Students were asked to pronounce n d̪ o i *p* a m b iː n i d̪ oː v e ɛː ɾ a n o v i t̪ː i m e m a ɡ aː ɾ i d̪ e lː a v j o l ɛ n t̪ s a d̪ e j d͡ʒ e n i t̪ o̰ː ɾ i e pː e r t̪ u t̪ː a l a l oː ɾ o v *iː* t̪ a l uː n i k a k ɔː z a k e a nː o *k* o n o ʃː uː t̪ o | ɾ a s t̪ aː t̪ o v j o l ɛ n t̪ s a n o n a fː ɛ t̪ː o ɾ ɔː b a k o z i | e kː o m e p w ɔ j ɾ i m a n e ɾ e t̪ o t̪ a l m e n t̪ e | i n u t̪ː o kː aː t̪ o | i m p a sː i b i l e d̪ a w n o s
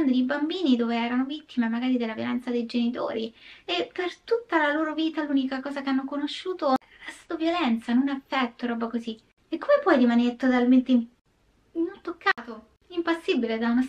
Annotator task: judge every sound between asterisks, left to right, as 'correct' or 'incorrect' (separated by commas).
incorrect, correct, correct